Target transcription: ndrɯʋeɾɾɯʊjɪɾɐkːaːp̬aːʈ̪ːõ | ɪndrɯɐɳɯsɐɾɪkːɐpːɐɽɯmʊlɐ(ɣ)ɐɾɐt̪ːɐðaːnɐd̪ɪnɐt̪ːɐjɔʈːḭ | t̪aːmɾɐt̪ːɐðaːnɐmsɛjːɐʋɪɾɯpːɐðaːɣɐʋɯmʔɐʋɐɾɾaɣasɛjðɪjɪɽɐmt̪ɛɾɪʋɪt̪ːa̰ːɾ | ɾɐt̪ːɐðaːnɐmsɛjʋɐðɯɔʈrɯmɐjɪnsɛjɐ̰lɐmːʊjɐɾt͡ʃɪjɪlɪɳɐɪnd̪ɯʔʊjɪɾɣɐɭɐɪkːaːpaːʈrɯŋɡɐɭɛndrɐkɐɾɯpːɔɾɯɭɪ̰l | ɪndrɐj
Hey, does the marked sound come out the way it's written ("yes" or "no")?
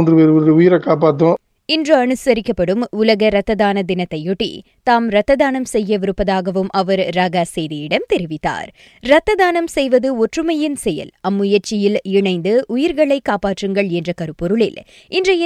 yes